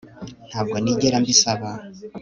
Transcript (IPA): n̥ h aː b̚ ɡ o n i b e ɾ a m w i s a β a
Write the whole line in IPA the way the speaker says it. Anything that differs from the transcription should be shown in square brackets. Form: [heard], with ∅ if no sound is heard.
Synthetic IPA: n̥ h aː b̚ ɡ o n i [ɟ] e ɾ a m [b] i s a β a